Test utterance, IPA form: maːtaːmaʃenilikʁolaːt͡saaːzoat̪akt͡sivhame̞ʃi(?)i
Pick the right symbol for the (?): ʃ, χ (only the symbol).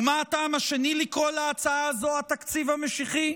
χ